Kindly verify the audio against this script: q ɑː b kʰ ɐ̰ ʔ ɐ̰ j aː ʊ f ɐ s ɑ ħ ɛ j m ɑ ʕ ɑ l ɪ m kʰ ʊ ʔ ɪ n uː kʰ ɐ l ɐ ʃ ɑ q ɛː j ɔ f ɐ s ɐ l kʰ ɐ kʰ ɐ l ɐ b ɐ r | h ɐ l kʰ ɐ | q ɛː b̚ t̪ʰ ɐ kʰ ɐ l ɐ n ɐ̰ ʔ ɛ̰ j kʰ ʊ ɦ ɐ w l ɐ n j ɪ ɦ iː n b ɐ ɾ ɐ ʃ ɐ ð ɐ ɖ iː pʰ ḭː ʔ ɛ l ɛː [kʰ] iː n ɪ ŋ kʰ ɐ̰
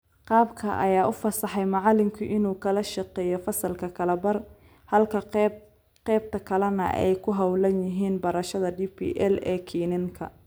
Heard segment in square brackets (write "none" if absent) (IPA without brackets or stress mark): kʰ